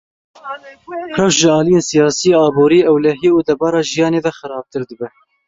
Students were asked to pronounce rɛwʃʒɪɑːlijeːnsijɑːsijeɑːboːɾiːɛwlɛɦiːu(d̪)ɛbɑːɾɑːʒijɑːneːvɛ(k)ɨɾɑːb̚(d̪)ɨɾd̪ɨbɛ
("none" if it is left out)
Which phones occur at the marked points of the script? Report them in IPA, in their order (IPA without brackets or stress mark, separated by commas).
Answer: d̪, x, t̪